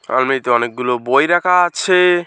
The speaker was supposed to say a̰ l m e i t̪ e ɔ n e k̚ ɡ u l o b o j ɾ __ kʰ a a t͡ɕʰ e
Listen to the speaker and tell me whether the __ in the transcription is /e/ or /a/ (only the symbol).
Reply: a